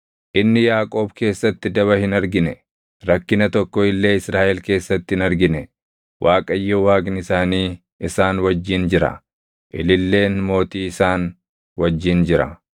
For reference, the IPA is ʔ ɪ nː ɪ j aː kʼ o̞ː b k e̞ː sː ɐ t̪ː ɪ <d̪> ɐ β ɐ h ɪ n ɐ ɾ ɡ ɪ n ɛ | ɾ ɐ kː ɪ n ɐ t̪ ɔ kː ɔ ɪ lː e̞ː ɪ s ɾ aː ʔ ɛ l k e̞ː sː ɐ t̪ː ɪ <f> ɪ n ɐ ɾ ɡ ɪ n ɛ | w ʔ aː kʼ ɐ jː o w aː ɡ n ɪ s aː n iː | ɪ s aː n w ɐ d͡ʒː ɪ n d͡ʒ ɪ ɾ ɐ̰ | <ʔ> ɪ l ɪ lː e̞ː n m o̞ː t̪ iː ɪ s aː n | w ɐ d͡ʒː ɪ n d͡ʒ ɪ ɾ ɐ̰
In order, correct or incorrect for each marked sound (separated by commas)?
correct, incorrect, correct